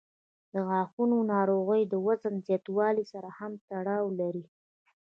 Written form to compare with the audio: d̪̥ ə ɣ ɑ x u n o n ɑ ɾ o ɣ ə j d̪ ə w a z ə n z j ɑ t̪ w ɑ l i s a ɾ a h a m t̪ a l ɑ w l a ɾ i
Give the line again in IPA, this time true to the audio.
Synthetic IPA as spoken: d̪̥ ə ɣ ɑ x u n o n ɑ ɾ o ɣ ə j d̪ ə w a z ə n z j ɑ t̪ w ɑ l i s a ɾ a h a m t̪ a ɽ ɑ w l a ɾ i